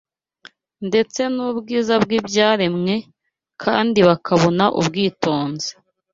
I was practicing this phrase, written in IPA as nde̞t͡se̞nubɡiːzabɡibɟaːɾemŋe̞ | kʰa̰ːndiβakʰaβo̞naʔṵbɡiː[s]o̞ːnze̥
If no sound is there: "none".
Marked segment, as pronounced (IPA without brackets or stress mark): t